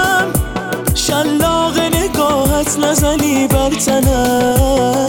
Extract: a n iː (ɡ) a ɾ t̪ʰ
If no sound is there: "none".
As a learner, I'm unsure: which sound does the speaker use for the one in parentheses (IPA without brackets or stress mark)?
b